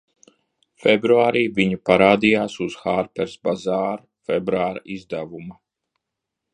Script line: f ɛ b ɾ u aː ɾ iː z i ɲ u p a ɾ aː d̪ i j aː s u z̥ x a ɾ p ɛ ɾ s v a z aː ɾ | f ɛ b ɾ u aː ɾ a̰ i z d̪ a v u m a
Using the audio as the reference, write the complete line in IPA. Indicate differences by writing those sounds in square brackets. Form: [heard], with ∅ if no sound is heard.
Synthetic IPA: f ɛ b ɾ u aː ɾ iː [v] i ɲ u p a ɾ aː d̪ i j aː s u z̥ x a ɾ p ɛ ɾ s [b] a z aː ɾ | f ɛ b ɾ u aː ɾ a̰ i z d̪ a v u m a

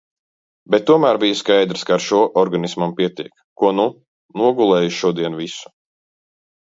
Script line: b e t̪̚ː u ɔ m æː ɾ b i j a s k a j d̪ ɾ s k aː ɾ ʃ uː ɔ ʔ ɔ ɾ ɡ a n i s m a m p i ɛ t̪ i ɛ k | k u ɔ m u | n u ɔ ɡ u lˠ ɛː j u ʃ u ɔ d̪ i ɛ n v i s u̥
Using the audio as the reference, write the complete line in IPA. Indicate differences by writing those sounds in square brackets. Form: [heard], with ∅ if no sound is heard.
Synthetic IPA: b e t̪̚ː u ɔ m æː ɾ b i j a s k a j d̪ ɾ s k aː ɾ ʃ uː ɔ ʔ ɔ ɾ ɡ a n i s m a m p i ɛ t̪ i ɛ k | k u ɔ [n] u | n u ɔ ɡ u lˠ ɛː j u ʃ u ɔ d̪ i ɛ n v i s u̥

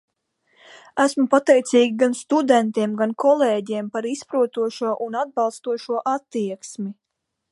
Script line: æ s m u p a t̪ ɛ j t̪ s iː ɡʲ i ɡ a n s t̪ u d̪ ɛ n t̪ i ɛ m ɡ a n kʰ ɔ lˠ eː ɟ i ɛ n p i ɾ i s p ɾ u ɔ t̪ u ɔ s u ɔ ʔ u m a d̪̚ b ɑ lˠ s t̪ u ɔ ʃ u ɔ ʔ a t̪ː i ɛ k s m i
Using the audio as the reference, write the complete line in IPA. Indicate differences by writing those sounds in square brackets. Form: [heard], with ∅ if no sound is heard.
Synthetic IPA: æ s m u p a t̪ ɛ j t̪ s iː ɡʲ i ɡ a n s t̪ u d̪ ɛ n t̪ i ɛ m ɡ a n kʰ ɔ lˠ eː ɟ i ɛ [m] p [a] ɾ i s p ɾ u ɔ t̪ u ɔ [ʃ] u ɔ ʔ u [n] a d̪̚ b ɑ lˠ s t̪ u ɔ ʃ u ɔ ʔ a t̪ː i ɛ k s m i

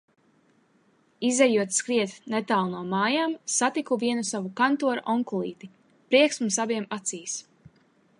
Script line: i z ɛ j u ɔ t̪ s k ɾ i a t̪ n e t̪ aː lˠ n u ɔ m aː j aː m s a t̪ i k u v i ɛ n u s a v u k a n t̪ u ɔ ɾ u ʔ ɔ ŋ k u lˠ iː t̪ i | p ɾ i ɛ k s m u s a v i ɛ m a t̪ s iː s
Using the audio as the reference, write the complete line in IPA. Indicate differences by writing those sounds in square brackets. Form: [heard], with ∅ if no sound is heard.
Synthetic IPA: i z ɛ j u ɔ t̪ s k ɾ i [ɛ] t̪ n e t̪ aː lˠ n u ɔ m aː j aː m s a t̪ i k u v i ɛ n u s a v u k a n t̪ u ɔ ɾ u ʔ ɔ ŋ k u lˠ iː t̪ i | p ɾ i ɛ k s m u s a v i ɛ m a t̪ s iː s

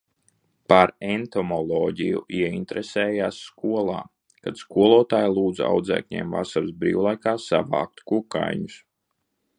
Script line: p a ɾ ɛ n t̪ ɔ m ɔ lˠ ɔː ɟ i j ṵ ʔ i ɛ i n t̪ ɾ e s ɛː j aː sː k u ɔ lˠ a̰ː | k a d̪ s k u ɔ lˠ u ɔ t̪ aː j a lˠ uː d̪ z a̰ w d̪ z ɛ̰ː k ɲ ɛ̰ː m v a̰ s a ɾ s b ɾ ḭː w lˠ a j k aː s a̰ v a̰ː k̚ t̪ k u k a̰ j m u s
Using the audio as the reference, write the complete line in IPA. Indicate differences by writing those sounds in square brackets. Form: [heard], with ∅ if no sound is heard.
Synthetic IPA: p a ɾ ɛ n t̪ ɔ m ɔ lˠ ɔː ɟ i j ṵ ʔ i ɛ i n t̪ ɾ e s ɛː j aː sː k u ɔ lˠ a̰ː | k a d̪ s k u ɔ lˠ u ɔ t̪ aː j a lˠ uː d̪ z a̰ w d̪ z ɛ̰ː k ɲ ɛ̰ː m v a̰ s a ɾ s b ɾ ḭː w lˠ a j k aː s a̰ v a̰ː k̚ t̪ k u k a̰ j [ɲ] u s

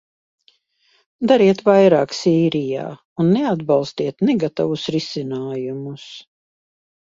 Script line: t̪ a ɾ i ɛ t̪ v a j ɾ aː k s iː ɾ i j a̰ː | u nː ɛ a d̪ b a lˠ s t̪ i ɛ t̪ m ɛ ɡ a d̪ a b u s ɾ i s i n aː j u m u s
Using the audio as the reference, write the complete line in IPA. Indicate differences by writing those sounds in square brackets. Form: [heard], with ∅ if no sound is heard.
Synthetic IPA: [d̪] a ɾ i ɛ t̪ v a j ɾ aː k s iː ɾ i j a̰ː | u nː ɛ a d̪ b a lˠ s t̪ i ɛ t̪ [n] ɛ ɡ a [t̪] a [v] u s ɾ i s i n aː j u m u s

